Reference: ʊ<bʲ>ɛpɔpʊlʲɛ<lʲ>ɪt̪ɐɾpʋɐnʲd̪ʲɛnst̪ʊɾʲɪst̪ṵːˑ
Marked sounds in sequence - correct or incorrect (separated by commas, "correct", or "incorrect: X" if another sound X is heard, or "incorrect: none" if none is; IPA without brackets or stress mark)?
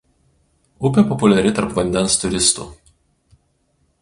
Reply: incorrect: pʲ, incorrect: ɾʲ